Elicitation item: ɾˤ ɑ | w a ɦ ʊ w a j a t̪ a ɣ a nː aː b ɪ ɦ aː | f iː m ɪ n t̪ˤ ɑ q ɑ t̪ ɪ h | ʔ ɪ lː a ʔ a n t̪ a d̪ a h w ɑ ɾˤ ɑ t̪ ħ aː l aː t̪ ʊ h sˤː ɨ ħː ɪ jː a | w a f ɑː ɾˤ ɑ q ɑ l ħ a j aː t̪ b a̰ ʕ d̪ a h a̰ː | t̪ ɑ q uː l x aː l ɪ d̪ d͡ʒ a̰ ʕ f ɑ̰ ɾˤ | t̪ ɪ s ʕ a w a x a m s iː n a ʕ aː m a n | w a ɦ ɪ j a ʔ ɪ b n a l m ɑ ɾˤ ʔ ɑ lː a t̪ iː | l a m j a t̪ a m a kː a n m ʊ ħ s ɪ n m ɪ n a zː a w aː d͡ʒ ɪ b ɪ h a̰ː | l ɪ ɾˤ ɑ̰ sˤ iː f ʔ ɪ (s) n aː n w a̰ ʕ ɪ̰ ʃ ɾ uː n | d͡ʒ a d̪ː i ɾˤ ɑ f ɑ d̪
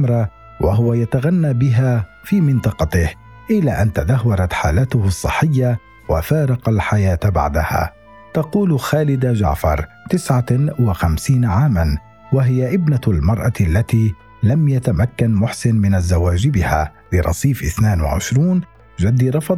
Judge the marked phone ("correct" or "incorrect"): incorrect